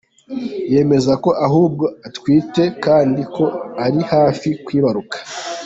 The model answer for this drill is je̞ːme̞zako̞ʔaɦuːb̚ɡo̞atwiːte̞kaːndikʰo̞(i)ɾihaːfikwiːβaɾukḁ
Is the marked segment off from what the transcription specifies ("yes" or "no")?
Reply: yes